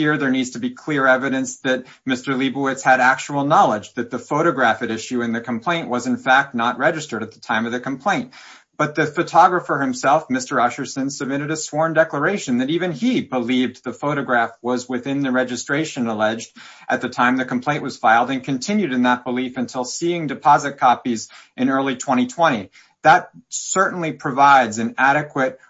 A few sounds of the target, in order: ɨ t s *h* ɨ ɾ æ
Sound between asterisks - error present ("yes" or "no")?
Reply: no